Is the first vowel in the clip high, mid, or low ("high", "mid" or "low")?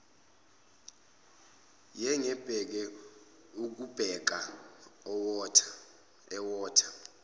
mid